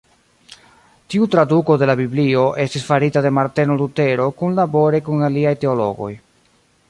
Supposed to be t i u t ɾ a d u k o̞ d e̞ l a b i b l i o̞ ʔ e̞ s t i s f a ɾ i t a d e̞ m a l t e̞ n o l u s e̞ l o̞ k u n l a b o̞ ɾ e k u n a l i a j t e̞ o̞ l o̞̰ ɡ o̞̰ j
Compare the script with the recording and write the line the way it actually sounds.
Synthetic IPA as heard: t i u t ɾ a d u k o̞ d e̞ l a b i b l i o̞ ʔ e̞ s t i s f a ɾ i t a d e̞ m a ɾ t e̞ n o l u t e̞ ɾ o̞ k u n l a b o̞ ɾ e k u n a l i a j t e̞ o̞ l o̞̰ ɡ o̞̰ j